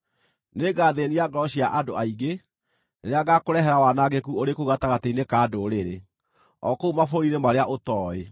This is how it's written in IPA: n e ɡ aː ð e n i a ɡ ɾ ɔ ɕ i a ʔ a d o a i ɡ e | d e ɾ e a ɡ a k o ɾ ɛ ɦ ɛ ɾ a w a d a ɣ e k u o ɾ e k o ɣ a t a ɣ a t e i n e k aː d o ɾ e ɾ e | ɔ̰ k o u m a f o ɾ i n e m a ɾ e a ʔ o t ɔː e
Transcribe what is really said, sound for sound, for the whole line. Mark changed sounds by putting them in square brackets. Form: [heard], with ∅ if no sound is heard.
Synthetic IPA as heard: n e ɡ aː ð e n i a ɡ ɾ ɔ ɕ i a ʔ a d o a i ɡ e | [n] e ɾ e a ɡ a k o ɾ ɛ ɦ ɛ ɾ a w a [n] a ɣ e k u o ɾ e k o ɣ a t a ɣ a t e i n e k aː d o ɾ e ɾ e | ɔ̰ k o u m a f o ɾ i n e m a ɾ e a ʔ o t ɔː e